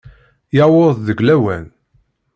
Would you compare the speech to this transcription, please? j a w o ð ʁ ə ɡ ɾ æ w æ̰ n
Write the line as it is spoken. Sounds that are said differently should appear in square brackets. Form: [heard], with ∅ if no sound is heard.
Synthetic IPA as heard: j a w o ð [ð] ə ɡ [l] æ w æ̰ n